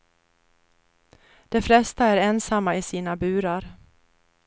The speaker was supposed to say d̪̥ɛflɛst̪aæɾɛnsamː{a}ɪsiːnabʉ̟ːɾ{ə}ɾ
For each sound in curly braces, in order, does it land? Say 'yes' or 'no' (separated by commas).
yes, no